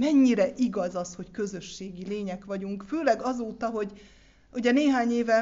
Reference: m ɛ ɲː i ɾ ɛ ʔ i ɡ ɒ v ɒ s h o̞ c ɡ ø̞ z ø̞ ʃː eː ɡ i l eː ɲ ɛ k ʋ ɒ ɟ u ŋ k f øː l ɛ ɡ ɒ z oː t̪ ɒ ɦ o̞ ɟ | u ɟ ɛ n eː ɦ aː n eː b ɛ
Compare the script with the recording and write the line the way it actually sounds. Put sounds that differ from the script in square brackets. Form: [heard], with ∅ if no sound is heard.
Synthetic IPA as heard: m ɛ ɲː i ɾ ɛ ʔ i ɡ ɒ [z] ɒ s h o̞ c [k] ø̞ z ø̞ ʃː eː ɡ i l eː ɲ ɛ k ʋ ɒ ɟ u ŋ k f øː l ɛ ɡ ɒ z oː t̪ ɒ ɦ o̞ ɟ | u ɟ ɛ n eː ɦ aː [ɲ] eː [v] ɛ